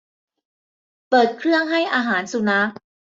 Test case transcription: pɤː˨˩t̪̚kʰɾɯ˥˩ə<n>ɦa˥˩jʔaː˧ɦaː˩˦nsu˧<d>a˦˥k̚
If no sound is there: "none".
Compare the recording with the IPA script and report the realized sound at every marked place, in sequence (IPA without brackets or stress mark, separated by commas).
ŋ, n